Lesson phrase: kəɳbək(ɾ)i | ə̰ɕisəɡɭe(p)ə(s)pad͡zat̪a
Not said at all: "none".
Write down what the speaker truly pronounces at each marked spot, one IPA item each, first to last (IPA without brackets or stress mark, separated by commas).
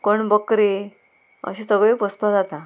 ɾ, p, s